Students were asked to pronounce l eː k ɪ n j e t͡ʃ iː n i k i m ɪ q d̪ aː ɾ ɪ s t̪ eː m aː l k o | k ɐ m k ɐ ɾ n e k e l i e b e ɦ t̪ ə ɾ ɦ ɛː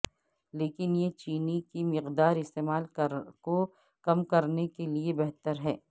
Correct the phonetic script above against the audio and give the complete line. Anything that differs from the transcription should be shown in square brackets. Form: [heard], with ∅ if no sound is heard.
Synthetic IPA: l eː k ɪ n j e t͡ʃ iː n i k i m ɪ q d̪ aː ɾ ɪ s t̪ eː m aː l k o | k ɐ m k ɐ ɾ n e k e l i e b [ɛ] ɦ t̪ ə ɾ ɦ ɛː